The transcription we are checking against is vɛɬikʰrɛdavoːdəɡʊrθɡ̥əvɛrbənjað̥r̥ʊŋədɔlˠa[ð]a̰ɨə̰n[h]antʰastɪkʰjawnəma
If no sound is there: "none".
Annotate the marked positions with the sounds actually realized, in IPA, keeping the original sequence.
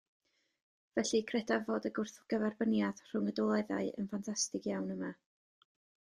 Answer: ð, f

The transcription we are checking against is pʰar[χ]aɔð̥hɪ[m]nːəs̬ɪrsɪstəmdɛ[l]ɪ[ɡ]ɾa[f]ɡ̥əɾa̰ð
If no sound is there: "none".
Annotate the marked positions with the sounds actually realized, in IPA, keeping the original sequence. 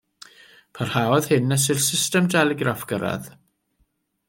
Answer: h, none, l, ɡ, f

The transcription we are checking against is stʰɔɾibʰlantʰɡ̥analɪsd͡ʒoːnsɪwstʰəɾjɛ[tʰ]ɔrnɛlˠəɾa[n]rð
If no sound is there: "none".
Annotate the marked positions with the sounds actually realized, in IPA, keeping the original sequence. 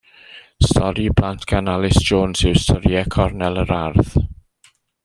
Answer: kʰ, none

